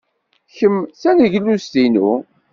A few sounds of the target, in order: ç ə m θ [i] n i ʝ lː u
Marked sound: incorrect: æ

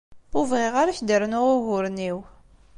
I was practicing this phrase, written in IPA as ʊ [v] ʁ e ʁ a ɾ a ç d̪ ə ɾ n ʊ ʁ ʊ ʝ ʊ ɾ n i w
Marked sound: correct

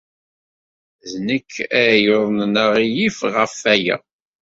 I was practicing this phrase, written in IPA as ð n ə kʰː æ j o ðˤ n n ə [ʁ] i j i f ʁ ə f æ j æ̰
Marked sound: correct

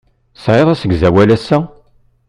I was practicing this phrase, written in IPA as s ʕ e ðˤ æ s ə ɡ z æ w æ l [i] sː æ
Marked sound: incorrect: æ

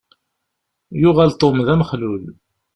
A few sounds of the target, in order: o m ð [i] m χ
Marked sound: incorrect: æ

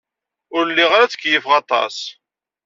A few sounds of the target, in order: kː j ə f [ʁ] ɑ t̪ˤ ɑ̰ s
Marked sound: correct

